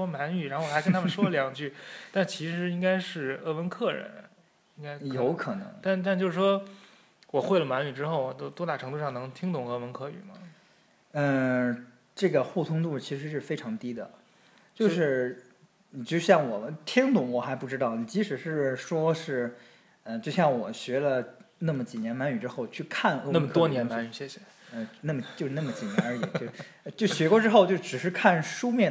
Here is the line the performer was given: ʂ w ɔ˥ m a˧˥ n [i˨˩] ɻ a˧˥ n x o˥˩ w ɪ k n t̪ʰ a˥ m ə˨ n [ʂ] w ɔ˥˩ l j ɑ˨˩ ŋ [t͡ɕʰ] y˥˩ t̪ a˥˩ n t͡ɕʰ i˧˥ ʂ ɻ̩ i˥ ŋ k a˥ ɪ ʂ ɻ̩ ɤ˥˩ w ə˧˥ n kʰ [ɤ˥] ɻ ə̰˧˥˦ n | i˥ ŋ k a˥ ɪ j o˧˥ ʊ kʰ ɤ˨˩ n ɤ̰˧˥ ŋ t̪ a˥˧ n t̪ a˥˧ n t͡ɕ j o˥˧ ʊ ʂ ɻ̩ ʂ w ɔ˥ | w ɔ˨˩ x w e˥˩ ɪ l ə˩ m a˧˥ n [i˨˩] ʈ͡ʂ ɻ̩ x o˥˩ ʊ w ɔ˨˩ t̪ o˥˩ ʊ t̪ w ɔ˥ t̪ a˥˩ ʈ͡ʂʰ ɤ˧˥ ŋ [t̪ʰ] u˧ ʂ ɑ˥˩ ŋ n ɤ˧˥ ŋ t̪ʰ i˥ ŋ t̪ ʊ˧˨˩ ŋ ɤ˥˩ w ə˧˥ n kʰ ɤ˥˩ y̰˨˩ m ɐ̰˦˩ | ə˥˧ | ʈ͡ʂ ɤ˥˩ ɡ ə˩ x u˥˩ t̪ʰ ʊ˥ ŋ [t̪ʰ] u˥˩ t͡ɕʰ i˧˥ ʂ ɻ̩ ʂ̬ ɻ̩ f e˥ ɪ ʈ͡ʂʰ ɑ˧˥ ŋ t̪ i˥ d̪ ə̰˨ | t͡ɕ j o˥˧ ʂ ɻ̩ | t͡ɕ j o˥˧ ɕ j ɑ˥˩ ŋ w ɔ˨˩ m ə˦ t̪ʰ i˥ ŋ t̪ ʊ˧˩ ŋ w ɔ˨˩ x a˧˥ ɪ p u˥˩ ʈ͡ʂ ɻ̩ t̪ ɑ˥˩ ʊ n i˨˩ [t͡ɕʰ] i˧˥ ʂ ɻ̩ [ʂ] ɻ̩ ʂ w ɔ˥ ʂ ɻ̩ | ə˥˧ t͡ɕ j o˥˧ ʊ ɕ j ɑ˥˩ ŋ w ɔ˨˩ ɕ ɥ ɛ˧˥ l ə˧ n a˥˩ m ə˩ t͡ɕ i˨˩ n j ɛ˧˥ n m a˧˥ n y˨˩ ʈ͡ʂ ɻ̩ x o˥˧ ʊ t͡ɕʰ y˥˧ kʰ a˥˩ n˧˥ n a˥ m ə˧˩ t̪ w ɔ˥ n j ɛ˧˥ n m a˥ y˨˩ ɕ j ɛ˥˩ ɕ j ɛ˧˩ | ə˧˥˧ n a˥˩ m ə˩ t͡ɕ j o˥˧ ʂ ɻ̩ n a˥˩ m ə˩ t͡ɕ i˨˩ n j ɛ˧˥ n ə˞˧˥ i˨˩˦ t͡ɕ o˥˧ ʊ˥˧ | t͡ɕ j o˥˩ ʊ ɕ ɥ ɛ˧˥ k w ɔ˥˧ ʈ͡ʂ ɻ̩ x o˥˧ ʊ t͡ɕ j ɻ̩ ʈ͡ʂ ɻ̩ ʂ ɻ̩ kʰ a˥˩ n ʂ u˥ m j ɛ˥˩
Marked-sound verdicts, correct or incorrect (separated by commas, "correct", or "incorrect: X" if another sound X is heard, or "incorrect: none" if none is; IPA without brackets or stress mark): incorrect: y˨˩, correct, incorrect: t͡ɕ, incorrect: ɤ˥˩, incorrect: y˨˩, incorrect: t̪, incorrect: t̪, incorrect: t͡ɕ, correct